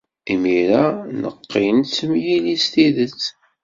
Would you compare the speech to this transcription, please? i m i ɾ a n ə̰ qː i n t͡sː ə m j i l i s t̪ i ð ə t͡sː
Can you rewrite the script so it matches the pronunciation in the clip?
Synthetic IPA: i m i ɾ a n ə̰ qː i n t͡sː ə m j i l i s t̪ i ð ə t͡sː